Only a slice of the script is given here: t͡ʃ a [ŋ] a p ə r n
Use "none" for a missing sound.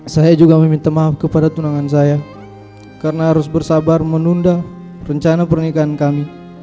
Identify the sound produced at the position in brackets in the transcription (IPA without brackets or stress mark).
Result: n